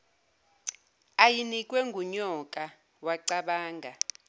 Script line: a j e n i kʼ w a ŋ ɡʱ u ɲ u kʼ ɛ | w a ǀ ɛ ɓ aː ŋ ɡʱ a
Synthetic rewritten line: a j i n i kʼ w ɛ ŋ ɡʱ u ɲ ɔ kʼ a | w a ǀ a ɓ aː ŋ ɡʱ a